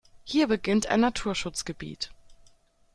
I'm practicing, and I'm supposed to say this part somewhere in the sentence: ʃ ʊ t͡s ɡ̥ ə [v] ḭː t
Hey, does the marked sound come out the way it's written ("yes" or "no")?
no